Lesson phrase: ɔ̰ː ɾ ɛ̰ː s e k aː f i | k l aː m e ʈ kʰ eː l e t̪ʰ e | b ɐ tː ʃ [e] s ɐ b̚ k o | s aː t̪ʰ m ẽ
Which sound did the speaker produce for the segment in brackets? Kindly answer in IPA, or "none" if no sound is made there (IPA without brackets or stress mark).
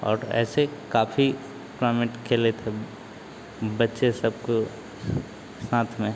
e